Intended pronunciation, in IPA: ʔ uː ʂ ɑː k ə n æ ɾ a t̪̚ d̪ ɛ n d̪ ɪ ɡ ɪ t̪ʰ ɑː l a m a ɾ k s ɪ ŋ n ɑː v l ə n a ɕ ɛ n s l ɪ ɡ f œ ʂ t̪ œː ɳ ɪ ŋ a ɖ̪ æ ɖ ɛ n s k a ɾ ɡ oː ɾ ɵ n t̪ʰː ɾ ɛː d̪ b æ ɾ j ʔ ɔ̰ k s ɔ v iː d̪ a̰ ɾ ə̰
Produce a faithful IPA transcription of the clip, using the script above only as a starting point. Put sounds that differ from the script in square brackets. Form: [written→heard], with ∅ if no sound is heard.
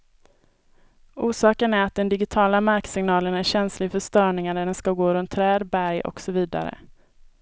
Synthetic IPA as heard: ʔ uː ʂ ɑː k ə n æ ɾ a t̪̚ d̪ ɛ n d̪ ɪ ɡ ɪ t̪ʰ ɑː l a m a ɾ k s ɪ ŋ n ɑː [v→∅] l ə n [a→æ] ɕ ɛ n s l ɪ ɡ f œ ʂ t̪ œː ɳ ɪ ŋ a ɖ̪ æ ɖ ɛ n s k a [ɾ→∅] ɡ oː ɾ ɵ n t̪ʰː ɾ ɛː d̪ b æ ɾ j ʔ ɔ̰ k s ɔ v iː d̪ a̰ ɾ ə̰